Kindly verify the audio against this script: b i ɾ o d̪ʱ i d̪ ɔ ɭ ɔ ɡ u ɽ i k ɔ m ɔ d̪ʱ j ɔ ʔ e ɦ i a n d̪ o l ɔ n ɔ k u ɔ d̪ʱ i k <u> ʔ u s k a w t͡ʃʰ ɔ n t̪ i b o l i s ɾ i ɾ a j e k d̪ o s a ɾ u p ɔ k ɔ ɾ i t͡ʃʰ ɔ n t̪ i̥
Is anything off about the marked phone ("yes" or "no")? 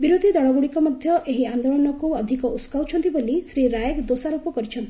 yes